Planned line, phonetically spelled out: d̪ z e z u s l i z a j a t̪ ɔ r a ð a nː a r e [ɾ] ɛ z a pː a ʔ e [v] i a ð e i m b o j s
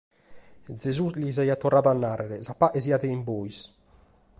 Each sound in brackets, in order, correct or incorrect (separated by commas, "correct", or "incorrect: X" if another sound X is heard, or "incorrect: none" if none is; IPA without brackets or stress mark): correct, incorrect: z